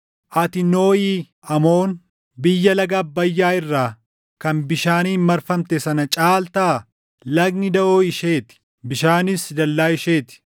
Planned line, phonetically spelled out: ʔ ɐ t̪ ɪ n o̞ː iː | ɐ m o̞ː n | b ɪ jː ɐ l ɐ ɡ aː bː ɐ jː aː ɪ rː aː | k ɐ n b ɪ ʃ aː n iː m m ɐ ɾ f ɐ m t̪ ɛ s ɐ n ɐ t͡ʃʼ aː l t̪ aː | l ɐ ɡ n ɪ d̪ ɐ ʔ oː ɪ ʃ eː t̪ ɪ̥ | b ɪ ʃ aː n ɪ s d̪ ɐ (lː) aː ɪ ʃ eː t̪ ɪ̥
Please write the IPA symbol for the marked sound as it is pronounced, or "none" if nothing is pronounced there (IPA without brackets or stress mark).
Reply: lː